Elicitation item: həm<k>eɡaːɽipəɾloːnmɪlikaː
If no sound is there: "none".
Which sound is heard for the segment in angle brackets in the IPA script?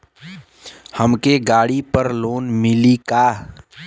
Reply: k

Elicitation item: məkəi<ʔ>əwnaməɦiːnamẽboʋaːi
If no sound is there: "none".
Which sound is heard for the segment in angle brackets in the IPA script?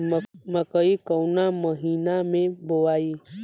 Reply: k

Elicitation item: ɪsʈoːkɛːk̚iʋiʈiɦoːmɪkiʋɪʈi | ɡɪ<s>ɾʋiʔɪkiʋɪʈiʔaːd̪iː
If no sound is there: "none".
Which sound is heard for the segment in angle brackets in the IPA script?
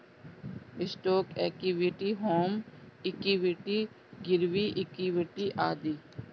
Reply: none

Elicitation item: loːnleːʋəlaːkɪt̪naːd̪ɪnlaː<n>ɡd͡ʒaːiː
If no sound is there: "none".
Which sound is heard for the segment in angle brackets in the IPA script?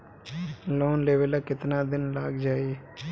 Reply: none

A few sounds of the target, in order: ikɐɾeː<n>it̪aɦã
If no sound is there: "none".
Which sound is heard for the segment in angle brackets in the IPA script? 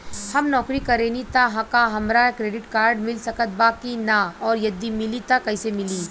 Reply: n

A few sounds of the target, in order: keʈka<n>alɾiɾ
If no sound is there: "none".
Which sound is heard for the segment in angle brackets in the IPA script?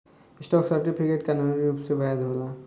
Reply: n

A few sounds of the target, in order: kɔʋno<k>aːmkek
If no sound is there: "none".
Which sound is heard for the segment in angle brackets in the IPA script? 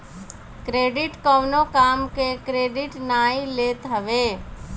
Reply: k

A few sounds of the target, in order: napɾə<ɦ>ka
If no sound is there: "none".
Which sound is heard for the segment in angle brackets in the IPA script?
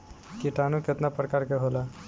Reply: none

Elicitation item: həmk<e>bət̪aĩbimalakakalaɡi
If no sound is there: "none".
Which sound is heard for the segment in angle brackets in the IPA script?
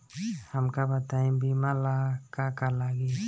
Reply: a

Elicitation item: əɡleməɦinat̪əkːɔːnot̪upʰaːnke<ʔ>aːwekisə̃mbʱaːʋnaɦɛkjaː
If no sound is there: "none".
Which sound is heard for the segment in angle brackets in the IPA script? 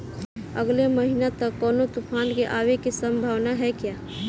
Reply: ʔ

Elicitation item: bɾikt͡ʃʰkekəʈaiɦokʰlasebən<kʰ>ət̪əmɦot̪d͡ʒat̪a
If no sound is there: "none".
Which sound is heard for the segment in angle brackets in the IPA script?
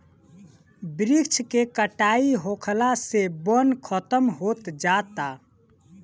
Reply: kʰ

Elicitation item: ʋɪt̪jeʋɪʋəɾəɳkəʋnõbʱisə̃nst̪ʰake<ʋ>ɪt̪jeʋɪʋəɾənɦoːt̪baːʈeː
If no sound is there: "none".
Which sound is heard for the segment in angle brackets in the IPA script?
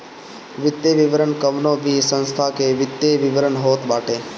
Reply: ʋ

